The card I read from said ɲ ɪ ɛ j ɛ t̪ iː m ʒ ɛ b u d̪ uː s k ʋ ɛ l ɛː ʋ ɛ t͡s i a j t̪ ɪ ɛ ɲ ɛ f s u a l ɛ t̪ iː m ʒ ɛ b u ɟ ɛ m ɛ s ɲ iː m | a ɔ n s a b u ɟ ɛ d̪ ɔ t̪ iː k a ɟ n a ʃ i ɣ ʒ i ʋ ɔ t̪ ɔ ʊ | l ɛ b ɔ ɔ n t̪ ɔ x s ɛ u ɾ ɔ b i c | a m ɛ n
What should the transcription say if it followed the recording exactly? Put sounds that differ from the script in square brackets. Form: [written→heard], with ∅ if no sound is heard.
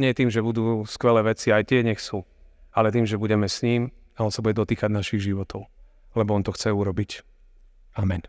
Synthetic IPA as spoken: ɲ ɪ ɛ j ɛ t̪ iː m ʒ ɛ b u d̪ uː s k ʋ ɛ l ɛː ʋ ɛ t͡s i a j t̪ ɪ ɛ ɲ ɛ [f→x] s u a l ɛ t̪ iː m ʒ ɛ b u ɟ ɛ m ɛ s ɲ iː m | a ɔ n s a b u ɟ ɛ d̪ ɔ t̪ iː k a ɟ n a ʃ i ɣ ʒ i ʋ ɔ t̪ ɔ ʊ | l ɛ b ɔ ɔ n t̪ ɔ x [s→t͡s] ɛ u ɾ ɔ b i c | a m ɛ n